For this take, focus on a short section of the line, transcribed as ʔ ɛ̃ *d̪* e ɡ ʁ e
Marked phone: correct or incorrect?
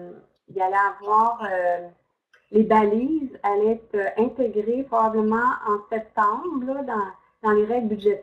incorrect